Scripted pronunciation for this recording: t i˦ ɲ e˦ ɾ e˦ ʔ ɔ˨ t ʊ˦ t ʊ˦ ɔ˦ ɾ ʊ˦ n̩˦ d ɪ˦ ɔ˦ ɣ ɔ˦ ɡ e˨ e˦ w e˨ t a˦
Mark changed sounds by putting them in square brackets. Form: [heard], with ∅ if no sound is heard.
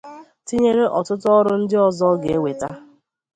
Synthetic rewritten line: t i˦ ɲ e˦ ɾ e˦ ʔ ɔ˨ t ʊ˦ t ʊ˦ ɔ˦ ɾ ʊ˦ n̩˦ d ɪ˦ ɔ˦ [z] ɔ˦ ɡ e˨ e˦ w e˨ t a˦